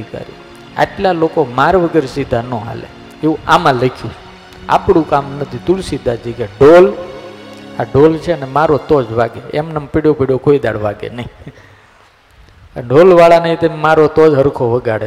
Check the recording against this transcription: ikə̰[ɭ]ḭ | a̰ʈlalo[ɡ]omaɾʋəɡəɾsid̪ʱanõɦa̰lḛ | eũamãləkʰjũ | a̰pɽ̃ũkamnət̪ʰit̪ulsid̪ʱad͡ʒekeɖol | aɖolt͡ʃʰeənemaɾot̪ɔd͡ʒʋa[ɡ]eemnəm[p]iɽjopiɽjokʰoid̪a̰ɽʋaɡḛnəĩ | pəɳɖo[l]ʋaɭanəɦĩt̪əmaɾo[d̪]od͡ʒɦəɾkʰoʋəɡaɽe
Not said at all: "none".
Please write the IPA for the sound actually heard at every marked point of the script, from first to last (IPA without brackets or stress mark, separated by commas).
ɾ, k, ɡ, p, l, t̪